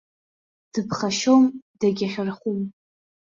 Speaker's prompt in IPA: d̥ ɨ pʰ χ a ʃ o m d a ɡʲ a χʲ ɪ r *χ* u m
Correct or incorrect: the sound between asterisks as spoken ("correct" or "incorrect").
correct